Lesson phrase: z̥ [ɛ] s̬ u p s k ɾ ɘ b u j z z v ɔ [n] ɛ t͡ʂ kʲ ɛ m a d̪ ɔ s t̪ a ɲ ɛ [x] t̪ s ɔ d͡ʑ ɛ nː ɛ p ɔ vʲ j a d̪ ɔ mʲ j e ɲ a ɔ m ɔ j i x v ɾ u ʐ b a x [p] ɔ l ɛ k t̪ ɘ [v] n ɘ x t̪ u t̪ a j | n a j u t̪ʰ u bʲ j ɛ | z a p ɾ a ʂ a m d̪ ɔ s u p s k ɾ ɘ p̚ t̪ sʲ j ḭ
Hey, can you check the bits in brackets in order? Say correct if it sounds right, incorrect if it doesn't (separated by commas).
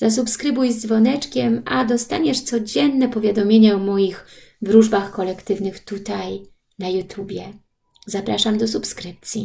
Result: incorrect, correct, incorrect, incorrect, correct